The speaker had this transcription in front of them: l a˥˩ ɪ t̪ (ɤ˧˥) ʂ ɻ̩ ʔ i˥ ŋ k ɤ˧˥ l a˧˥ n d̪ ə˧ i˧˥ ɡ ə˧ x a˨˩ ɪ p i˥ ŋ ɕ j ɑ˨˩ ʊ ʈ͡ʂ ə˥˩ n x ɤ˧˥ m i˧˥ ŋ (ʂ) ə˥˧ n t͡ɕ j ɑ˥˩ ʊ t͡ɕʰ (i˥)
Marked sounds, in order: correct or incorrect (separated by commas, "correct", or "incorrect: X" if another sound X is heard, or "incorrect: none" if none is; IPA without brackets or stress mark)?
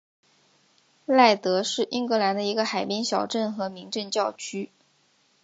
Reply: correct, incorrect: ʈ͡ʂ, incorrect: y˥